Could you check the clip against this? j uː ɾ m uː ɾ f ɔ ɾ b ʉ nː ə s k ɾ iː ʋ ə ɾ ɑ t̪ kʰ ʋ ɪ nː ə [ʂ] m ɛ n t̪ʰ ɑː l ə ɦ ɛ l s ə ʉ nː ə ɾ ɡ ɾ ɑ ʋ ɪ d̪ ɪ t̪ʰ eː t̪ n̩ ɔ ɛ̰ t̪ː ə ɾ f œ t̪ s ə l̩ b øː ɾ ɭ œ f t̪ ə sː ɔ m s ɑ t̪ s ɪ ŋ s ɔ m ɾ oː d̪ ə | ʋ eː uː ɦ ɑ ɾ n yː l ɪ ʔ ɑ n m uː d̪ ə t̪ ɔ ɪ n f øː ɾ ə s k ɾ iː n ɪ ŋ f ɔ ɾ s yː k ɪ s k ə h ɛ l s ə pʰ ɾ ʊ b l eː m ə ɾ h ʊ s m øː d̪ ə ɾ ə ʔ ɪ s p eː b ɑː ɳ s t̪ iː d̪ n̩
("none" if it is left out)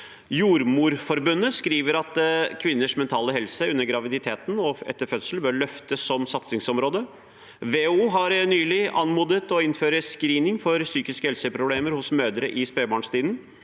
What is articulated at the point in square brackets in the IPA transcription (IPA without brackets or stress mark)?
ʂ